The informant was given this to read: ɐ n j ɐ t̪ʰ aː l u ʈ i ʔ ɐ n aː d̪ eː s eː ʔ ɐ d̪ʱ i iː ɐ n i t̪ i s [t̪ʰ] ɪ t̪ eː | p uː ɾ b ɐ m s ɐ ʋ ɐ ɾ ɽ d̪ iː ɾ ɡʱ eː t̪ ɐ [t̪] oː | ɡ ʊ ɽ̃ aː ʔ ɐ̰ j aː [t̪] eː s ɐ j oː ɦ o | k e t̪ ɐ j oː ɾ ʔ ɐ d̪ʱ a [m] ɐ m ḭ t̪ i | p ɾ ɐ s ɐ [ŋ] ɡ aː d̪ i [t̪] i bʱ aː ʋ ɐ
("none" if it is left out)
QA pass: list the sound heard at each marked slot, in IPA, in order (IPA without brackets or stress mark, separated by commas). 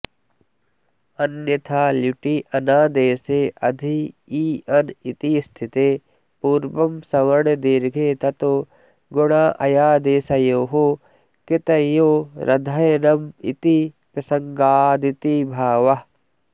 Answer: t̪ʰ, t̪, d̪, n, ŋ, t̪